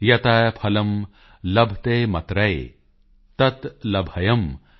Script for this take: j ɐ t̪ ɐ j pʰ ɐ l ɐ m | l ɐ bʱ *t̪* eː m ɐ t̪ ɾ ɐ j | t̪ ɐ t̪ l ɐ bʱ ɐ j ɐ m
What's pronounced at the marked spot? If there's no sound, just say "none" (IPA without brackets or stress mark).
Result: t̪